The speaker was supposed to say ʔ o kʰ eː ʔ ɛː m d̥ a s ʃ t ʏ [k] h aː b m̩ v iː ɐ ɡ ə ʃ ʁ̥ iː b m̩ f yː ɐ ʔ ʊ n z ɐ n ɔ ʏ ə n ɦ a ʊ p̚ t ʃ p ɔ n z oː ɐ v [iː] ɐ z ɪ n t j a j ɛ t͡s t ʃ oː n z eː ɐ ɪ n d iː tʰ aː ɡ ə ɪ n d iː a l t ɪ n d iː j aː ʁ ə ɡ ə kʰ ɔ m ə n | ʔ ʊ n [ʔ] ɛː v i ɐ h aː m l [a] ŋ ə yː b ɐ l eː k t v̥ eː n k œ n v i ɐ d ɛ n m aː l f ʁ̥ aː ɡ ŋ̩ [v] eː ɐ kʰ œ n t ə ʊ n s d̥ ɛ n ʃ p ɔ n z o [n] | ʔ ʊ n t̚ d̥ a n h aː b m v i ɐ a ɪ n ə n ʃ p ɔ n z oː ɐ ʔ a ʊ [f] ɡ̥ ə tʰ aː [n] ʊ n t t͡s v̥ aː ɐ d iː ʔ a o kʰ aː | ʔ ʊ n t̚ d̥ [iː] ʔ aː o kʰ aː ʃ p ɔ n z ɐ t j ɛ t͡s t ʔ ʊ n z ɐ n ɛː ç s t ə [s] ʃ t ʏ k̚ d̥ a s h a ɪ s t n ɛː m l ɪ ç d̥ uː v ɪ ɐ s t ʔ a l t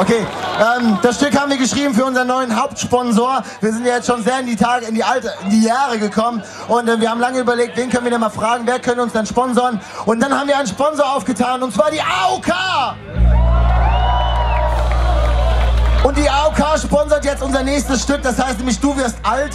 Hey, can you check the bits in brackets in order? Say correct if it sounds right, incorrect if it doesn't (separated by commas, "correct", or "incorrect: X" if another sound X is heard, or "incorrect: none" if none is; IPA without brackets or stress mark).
correct, correct, incorrect: t, correct, correct, correct, correct, correct, correct, correct